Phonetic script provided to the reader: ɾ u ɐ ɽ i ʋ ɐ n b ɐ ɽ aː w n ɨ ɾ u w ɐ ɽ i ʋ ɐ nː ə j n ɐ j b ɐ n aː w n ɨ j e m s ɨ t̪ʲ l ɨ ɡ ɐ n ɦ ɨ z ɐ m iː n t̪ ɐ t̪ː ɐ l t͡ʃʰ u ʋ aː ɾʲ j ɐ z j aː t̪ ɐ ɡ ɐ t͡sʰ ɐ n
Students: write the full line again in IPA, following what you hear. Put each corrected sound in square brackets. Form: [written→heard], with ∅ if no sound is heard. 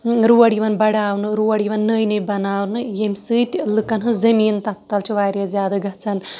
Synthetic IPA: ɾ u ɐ ɽ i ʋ ɐ n b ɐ ɽ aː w n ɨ ɾ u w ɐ ɽ i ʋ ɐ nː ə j n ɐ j b ɐ n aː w n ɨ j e m s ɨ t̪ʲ l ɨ [ɡ→k] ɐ n ɦ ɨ z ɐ m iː n t̪ ɐ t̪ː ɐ l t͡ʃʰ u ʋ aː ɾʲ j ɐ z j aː [t̪→d̪] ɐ ɡ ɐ t͡sʰ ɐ n

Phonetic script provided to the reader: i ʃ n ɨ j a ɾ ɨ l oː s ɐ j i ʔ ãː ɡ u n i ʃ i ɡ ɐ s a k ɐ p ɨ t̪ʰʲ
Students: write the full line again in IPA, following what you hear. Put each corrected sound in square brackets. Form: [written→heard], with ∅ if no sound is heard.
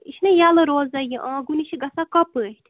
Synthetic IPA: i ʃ n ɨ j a [ɾ→l] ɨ [l→ɾ] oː [s→z] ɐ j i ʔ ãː ɡ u n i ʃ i ɡ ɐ s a k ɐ p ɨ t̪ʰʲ

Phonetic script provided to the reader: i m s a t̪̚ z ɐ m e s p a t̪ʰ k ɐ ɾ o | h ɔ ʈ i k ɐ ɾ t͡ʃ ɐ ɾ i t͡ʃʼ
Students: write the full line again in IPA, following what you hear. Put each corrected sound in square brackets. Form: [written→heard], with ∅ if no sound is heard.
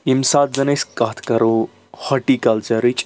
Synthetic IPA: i m s a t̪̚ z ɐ [m→n] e s [p→k] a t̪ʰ k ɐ ɾ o | h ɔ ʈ i k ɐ [ɾ→l] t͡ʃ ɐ ɾ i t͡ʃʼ

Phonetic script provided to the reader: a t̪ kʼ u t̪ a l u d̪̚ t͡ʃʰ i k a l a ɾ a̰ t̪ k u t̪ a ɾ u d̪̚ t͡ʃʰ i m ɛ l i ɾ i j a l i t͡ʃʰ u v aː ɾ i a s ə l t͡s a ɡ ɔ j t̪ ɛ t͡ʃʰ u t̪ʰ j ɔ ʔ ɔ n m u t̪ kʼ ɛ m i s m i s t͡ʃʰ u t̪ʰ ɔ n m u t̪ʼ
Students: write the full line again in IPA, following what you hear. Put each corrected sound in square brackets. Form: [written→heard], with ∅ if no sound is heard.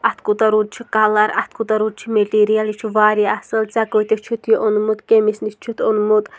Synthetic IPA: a t̪ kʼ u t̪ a [l→ɾ] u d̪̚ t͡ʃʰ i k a l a ɾ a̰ t̪ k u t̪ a ɾ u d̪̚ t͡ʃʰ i m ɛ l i ɾ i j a l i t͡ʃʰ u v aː ɾ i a s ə l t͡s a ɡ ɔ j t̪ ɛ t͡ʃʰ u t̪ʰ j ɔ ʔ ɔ n m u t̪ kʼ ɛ m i s [m→n] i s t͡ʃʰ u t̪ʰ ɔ n m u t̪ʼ

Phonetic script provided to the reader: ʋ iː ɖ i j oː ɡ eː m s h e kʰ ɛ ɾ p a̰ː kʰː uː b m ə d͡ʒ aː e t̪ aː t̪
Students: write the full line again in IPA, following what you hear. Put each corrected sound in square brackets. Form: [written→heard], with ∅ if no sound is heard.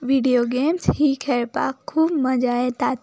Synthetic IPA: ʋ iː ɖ i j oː ɡ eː m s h [e→i] kʰ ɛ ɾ p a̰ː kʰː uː b m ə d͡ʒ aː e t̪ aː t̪

